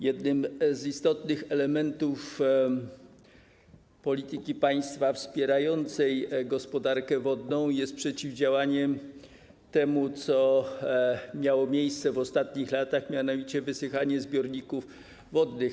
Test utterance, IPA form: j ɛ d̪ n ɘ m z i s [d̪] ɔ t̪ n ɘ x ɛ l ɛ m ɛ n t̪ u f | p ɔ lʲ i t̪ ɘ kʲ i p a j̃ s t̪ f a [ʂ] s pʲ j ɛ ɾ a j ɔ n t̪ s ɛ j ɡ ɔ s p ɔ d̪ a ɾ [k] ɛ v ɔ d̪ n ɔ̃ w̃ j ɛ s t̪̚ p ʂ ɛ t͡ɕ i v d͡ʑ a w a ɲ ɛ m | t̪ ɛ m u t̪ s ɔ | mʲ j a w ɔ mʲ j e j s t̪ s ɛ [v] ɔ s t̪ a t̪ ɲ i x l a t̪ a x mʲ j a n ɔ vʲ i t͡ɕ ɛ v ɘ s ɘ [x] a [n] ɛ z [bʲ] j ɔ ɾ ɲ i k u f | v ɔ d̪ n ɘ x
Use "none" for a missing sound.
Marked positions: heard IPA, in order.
t̪, f, k, v, x, ɲ, bʲ

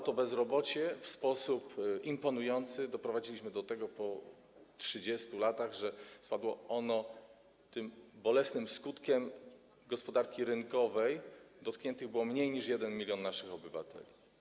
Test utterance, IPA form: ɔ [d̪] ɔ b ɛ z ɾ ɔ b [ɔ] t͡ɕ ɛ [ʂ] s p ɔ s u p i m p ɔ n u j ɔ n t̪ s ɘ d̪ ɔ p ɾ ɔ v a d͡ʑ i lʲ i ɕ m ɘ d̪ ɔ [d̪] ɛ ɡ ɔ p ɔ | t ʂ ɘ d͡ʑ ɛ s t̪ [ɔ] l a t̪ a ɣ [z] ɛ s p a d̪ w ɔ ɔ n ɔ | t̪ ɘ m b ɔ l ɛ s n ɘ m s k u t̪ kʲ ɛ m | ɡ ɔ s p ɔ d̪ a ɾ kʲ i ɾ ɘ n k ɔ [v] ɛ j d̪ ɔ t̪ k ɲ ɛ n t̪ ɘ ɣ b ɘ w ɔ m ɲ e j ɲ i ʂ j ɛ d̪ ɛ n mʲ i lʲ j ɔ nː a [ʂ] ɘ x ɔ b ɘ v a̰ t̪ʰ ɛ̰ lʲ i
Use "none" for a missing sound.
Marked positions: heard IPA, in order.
t̪, ɔ, f, t̪, u, ʐ, v, ʂ

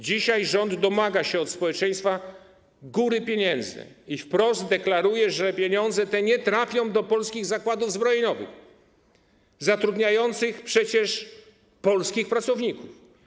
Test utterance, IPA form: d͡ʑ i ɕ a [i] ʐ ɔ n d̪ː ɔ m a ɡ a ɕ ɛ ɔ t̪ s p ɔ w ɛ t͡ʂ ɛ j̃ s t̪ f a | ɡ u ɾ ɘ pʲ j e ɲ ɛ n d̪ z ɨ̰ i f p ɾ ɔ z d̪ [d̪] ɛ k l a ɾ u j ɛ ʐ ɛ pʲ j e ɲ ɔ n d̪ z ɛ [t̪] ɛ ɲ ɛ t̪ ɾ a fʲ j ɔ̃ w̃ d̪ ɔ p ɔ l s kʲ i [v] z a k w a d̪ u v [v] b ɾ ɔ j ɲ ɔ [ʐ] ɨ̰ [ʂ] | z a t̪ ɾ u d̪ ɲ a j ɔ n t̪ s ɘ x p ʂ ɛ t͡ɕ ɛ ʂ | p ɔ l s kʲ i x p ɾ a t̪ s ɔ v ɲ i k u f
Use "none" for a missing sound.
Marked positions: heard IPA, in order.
j, d̪, t̪, ɣ, z, v, x

